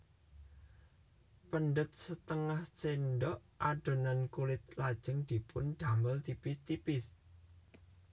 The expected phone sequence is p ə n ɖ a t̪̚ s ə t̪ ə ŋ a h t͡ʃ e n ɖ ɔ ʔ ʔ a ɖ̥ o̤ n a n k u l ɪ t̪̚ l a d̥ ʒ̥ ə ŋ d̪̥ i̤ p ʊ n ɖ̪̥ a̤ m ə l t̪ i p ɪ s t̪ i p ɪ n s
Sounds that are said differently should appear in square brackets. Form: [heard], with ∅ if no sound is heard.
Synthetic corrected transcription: p ə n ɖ [ə] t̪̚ s ə t̪ ə ŋ a h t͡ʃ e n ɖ ɔ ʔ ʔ a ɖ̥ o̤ n a n k u l ɪ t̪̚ l a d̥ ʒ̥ ə ŋ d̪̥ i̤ p ʊ n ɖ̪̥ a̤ m ə l t̪ i p ɪ s t̪ i p ɪ [∅] s

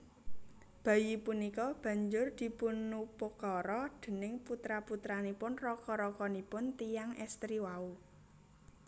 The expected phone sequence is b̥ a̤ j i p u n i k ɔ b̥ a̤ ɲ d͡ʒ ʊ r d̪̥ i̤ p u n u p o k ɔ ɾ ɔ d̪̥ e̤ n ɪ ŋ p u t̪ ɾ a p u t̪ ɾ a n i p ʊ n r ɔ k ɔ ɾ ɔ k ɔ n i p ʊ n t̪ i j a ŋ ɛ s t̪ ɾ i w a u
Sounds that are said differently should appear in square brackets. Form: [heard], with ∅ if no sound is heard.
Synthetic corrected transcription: b̥ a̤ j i p u n i k ɔ b̥ a̤ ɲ d͡ʒ ʊ r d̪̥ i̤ p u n u p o k ɔ ɾ ɔ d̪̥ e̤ n ɪ ŋ p u t̪ ɾ a p u t̪ ɾ a n i p ʊ n r ɔ k ɔ ɾ ɔ k ɔ n i p ʊ n t̪ i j a ŋ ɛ s t̪ ɾ i w a u

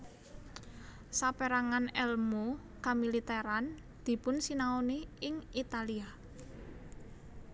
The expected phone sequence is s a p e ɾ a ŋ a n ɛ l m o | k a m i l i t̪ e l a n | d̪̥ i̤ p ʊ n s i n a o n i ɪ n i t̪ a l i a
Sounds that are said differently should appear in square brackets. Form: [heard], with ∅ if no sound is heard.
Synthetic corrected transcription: s a p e ɾ a ŋ a n ɛ l m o | k a m i l i t̪ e [ɾ] a n | d̪̥ i̤ p ʊ n s i n a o n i ɪ [ŋ] i t̪ a l i a

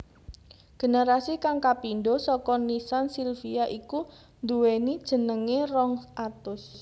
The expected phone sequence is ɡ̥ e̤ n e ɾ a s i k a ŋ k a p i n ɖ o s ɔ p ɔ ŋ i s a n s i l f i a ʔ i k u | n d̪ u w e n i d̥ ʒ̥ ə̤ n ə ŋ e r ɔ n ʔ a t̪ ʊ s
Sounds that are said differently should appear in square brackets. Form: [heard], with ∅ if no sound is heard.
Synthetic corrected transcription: ɡ̥ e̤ n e ɾ a s i k a ŋ k a p i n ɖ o s ɔ [k] ɔ [n] i s a n s i l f i a ʔ i k u | n d̪ u w e n i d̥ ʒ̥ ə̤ n ə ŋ e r ɔ [ŋ] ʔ a t̪ ʊ s

